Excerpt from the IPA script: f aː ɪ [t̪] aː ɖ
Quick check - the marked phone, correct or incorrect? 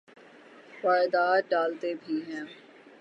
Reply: incorrect